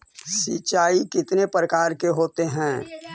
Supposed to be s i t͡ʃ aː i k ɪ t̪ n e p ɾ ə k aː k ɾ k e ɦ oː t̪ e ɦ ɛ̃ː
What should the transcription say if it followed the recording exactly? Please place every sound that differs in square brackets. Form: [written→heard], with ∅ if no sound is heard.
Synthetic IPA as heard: s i t͡ʃ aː i k ɪ t̪ n e p ɾ ə k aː [k→∅] ɾ k e ɦ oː t̪ e ɦ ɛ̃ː